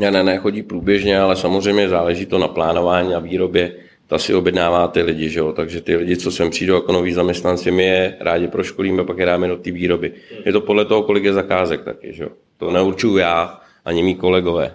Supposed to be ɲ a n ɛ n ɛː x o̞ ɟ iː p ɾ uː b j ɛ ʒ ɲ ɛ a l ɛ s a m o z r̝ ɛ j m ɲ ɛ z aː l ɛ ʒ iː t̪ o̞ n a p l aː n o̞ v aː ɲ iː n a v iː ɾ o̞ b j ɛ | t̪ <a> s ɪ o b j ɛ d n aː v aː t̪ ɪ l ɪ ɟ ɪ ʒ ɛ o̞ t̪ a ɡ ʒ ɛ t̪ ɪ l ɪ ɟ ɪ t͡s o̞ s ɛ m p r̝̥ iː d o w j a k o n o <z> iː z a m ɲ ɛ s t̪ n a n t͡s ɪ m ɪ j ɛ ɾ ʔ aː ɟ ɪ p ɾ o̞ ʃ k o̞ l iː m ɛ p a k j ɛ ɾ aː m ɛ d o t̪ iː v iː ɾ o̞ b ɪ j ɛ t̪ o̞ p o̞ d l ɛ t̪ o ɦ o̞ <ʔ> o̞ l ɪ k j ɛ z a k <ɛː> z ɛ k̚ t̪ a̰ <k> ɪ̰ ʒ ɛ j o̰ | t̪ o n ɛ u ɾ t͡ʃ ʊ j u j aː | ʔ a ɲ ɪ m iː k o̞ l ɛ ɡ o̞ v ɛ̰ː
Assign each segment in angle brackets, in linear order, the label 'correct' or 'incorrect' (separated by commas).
correct, incorrect, incorrect, incorrect, correct